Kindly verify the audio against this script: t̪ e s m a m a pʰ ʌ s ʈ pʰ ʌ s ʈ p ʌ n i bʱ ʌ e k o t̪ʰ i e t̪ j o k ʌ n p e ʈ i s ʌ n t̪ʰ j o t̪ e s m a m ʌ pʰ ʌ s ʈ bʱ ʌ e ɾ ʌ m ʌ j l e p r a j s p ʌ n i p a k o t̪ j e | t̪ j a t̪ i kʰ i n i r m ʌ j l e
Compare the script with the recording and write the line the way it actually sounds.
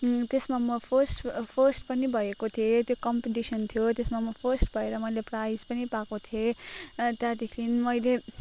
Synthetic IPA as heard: t̪ e s m a m ʌ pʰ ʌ s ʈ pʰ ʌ s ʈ p ʌ n i bʱ ʌ e k o t̪ʰ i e t̪ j o k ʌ m p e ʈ i s ʌ n t̪ʰ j o t̪ e s m a m ʌ pʰ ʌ s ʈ bʱ ʌ e ɾ ʌ m ʌ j l e p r a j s p ʌ n i p a k o t̪ʰ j e | t̪ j a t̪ i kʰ i n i m ʌ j l e